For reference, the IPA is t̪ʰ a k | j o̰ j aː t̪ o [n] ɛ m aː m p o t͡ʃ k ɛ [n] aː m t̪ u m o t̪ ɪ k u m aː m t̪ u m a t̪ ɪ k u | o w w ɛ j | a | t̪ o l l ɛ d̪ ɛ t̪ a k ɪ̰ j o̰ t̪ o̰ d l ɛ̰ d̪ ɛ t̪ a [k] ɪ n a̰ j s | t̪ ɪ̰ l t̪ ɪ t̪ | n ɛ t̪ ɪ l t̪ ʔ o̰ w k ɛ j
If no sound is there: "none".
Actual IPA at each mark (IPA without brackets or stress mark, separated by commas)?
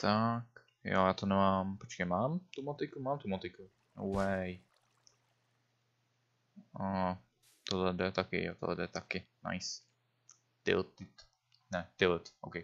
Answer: n, m, k